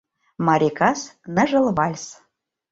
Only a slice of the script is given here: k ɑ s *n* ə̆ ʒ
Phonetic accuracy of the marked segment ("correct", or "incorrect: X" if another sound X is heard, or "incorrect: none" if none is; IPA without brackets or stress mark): correct